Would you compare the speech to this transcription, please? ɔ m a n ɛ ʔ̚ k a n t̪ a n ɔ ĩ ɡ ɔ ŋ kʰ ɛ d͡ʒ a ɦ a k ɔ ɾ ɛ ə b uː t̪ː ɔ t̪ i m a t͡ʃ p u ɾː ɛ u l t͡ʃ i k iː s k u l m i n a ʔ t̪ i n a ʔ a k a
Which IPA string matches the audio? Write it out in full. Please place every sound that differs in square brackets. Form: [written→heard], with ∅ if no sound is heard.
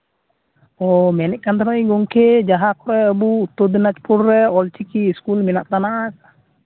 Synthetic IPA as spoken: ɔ m [a→ɛ] n ɛ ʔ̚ k a n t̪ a n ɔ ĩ ɡ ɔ ŋ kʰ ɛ d͡ʒ a ɦ a k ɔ ɾ ɛ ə b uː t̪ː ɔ [t̪→d̪] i [m→n] a t͡ʃ p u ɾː ɛ [u→ɔ] l t͡ʃ i k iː s k u l m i n a ʔ t̪ [i→a] n a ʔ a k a